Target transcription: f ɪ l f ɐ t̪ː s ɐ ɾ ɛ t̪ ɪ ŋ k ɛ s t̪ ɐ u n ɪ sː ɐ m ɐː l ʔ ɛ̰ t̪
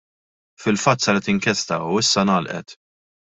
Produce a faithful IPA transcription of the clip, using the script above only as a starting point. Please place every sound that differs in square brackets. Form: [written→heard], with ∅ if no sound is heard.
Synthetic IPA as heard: f ɪ l f ɐ t̪ː s ɐ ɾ ɛ t̪ ɪ ŋ k ɛ s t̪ ɐ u [n→∅] ɪ sː ɐ [m→n] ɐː l ʔ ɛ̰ t̪